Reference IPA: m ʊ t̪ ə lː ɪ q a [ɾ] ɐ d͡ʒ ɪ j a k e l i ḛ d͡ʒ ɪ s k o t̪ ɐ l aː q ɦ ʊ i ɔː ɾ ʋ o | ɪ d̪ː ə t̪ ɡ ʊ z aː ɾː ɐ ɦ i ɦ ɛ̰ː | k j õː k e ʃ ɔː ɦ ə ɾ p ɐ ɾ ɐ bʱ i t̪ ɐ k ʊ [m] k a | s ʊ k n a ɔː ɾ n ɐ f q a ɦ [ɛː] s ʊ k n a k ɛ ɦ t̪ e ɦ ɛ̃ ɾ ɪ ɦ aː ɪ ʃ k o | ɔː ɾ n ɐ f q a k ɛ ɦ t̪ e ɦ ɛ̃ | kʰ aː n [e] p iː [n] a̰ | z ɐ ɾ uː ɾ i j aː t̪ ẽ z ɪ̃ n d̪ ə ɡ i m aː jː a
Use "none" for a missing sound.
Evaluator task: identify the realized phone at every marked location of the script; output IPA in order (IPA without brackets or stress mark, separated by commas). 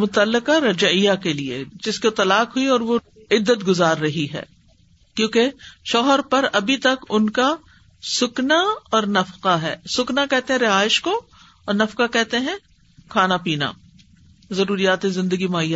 ɾ, n, ɛː, a, n